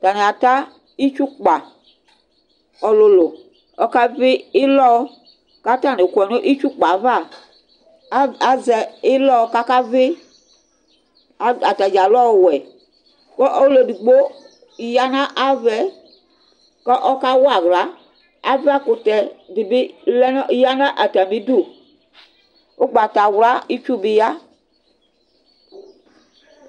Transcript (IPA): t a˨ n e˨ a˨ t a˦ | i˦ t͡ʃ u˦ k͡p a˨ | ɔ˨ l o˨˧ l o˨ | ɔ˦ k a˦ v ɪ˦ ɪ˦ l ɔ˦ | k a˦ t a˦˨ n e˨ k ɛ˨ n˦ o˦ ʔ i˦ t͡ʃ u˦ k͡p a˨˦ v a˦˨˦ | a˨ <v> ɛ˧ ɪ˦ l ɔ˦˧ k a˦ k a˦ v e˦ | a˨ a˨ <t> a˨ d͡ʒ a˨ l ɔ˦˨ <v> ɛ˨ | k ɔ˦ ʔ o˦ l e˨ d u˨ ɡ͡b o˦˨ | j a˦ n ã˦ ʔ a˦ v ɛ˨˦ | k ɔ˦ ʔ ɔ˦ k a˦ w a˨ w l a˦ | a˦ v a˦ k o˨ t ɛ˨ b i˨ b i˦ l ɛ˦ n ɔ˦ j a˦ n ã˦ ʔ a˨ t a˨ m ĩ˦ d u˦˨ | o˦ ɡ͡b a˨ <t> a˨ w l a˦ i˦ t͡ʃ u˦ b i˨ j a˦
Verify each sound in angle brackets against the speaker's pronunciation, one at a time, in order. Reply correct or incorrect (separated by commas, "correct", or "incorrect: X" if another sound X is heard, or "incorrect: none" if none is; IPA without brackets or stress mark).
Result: incorrect: z, correct, incorrect: w, correct